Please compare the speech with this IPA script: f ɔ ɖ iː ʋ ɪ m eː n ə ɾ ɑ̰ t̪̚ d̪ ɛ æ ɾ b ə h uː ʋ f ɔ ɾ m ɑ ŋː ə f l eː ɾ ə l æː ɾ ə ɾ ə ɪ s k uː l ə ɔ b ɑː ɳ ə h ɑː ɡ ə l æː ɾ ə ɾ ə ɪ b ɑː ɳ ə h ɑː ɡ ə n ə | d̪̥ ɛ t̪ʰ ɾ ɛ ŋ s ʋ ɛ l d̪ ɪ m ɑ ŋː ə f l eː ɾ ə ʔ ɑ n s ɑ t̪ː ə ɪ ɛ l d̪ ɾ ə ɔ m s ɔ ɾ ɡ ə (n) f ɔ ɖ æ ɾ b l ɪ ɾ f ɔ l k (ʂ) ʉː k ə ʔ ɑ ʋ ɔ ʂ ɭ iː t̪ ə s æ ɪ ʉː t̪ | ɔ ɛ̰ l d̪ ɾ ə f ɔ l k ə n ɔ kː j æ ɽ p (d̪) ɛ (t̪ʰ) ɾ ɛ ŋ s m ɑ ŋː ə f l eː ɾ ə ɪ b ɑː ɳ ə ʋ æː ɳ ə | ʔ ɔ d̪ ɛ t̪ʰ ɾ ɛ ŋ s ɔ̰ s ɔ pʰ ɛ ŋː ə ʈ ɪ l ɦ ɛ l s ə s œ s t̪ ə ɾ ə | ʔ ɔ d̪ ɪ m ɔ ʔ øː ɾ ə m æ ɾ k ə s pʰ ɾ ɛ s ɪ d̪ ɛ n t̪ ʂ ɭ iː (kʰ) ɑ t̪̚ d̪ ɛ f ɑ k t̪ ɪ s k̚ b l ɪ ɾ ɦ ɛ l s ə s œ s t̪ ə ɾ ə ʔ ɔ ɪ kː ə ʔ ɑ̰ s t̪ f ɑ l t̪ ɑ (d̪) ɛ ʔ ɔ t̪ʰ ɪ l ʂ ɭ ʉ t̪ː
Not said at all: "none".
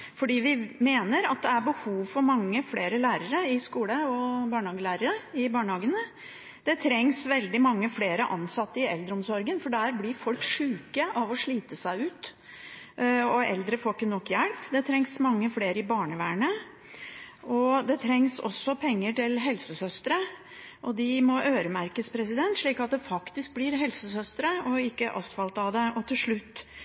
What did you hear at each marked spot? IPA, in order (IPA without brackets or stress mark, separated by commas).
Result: n, ʂ, d̪, t̪ʰ, k, d̪